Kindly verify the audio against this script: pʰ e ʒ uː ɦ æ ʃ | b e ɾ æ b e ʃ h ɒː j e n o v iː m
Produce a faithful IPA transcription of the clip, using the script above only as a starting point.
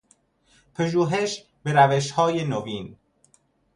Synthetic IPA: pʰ e ʒ uː ɦ e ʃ | b e ɾ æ v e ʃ h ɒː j e n o v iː n